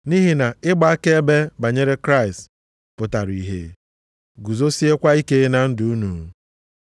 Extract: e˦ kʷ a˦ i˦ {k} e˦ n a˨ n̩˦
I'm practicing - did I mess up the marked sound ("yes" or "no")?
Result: no